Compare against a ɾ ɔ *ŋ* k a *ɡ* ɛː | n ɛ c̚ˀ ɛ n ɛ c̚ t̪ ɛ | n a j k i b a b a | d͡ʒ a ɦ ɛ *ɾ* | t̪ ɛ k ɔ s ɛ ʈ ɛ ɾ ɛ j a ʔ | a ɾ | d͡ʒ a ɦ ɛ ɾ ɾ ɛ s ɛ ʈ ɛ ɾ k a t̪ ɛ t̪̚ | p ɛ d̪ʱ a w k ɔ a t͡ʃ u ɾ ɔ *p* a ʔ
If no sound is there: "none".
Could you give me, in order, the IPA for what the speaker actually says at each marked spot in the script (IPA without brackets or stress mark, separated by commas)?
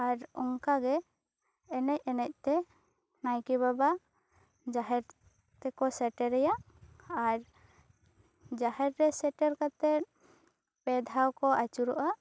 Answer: ŋ, ɡ, ɾ, ʔ